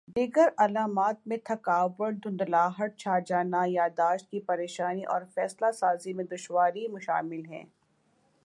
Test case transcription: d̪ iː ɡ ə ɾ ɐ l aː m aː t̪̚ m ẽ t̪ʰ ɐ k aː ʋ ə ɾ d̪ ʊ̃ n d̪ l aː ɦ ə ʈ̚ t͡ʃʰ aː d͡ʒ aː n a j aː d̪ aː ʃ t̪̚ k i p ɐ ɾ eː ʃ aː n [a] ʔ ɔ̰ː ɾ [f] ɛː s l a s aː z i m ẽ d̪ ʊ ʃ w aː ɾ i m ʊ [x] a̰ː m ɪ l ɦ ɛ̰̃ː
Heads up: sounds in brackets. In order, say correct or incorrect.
incorrect, correct, incorrect

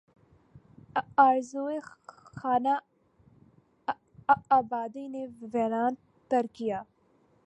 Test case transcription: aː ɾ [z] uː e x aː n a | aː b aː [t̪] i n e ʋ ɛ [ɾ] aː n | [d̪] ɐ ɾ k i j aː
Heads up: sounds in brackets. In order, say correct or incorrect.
correct, incorrect, correct, incorrect

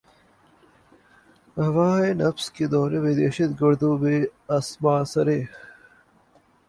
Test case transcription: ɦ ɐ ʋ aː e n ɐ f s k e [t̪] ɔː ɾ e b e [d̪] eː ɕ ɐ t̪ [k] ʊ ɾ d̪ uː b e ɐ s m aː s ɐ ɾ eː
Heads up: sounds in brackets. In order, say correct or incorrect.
incorrect, correct, incorrect

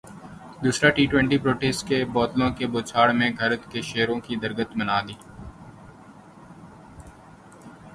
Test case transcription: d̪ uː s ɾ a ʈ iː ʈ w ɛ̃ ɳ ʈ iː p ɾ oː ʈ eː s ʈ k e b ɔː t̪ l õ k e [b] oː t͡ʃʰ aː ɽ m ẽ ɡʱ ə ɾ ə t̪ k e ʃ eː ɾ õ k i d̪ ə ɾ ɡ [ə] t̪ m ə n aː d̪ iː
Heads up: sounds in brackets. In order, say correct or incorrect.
correct, correct

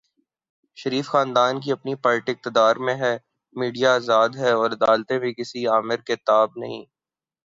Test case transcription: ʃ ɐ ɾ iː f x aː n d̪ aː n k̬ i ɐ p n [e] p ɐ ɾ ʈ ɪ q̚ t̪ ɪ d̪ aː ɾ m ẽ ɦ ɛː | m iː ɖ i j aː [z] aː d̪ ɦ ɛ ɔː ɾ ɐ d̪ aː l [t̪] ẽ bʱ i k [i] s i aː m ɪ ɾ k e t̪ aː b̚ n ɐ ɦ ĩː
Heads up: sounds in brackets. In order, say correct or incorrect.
incorrect, correct, correct, incorrect

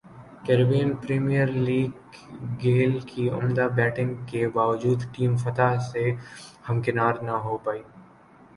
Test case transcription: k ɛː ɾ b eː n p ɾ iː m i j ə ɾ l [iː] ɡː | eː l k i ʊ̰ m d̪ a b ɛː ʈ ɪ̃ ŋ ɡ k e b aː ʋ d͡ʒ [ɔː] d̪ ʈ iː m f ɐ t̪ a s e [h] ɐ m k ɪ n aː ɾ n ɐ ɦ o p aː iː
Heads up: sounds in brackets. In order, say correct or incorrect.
correct, incorrect, correct

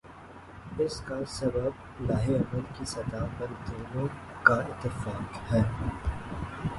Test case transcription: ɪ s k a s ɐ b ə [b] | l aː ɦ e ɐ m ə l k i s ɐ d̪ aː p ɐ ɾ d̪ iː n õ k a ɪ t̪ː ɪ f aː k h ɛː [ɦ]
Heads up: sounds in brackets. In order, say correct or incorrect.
correct, incorrect

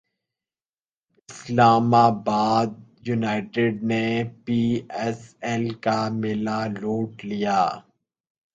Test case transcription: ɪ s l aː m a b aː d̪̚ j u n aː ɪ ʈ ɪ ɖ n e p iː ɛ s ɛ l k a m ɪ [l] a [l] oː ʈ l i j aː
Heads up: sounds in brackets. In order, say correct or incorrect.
correct, correct

